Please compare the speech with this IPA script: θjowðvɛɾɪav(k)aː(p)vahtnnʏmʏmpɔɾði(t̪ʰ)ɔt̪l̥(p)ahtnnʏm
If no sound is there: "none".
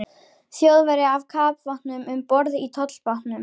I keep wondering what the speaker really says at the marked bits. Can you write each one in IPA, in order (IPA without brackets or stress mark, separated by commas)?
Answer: kʰ, p, t̪ʰ, p